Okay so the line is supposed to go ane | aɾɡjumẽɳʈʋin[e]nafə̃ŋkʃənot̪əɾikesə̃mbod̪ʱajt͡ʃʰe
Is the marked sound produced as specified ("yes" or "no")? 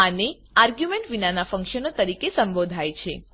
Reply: no